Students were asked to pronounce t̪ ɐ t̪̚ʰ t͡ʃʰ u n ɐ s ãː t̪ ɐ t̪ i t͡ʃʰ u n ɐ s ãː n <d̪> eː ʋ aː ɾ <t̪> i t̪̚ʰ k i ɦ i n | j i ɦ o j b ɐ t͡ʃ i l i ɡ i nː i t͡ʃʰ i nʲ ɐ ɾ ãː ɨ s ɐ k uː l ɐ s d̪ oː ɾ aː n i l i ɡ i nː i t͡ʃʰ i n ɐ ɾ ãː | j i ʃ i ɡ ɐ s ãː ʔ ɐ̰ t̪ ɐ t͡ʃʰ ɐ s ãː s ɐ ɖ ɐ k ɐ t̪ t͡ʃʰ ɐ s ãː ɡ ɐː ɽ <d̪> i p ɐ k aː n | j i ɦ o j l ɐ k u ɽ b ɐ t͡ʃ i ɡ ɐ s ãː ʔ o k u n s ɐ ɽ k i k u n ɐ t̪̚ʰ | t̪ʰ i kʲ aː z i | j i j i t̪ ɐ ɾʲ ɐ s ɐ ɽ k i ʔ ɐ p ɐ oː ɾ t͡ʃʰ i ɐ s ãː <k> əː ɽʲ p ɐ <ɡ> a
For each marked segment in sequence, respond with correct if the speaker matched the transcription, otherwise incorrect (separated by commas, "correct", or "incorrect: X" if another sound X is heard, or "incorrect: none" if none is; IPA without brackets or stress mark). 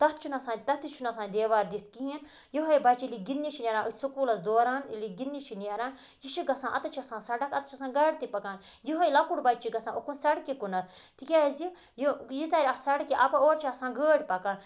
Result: correct, incorrect: d̪, incorrect: t̪, incorrect: ɡ, incorrect: k